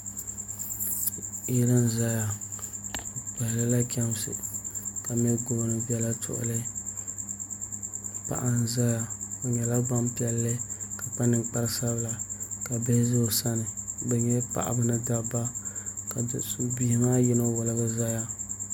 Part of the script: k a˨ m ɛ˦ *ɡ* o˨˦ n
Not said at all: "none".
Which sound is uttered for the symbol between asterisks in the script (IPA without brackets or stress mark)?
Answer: ɡ